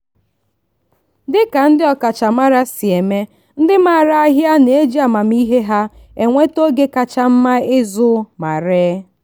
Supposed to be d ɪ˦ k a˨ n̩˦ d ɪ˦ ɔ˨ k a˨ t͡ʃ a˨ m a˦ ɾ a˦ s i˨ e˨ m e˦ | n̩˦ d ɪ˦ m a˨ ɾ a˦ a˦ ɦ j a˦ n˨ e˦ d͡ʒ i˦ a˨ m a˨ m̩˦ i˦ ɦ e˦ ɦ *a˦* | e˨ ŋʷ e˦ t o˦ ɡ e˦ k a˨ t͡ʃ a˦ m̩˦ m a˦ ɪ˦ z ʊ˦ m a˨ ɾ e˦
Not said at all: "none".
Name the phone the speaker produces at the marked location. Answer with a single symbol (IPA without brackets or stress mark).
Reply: a˦